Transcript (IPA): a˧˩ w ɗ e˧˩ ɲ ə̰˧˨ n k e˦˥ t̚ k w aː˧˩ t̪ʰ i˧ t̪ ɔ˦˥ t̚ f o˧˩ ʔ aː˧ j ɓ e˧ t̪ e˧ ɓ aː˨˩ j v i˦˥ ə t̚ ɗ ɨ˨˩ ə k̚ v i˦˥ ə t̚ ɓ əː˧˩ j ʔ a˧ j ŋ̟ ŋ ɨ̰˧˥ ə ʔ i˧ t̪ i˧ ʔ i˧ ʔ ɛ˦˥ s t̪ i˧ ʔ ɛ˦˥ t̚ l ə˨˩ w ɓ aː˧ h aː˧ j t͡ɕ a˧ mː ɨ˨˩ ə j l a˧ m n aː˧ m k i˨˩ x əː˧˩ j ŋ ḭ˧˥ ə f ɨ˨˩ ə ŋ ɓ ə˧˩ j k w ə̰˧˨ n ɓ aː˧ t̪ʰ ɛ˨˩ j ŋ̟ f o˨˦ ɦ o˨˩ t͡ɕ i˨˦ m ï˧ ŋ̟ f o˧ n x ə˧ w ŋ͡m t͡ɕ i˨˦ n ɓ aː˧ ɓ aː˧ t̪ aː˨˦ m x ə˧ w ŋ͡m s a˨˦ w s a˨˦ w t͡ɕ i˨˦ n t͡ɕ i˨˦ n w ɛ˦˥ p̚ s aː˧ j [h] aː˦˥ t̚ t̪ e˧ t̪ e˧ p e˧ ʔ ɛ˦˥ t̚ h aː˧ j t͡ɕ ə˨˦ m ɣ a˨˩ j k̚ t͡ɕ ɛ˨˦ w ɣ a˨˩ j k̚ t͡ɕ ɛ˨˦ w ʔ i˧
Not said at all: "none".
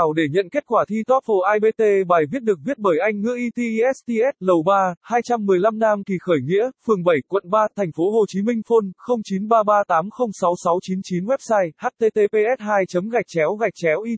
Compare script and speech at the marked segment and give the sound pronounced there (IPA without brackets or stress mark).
h